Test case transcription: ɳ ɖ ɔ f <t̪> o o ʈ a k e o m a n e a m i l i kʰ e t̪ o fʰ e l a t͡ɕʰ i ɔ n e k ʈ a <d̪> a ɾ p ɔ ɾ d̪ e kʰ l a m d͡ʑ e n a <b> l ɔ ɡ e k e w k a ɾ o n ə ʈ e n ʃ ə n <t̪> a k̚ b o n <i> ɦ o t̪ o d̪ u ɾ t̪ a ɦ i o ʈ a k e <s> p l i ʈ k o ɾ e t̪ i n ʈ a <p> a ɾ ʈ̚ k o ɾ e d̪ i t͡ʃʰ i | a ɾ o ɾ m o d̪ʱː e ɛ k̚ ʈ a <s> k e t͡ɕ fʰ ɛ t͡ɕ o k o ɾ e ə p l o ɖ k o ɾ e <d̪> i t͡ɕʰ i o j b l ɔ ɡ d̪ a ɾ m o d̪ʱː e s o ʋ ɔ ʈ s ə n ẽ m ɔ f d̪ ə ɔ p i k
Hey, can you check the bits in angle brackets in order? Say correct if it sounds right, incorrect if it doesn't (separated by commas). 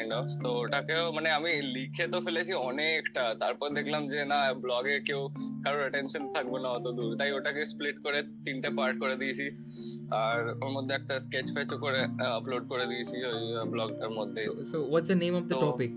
correct, incorrect, correct, incorrect, incorrect, correct, correct, correct, correct